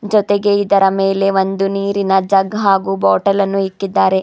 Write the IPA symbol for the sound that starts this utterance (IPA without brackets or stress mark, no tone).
d͡ʒ